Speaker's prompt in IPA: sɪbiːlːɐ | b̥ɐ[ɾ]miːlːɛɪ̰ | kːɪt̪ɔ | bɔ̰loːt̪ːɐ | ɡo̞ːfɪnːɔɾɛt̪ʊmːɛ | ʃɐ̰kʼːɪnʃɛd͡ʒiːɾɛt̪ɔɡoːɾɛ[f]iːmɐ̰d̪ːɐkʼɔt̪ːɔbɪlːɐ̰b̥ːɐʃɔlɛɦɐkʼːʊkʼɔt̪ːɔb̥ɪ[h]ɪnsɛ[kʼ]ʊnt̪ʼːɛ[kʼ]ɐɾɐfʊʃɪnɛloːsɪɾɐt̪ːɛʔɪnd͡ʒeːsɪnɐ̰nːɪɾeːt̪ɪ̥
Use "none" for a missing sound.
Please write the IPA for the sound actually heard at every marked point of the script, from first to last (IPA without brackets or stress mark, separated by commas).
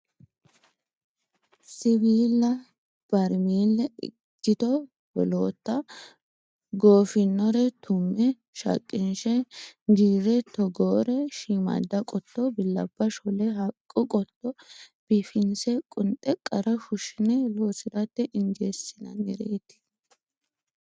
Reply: ɾ, ʃ, f, kʼ, kʼ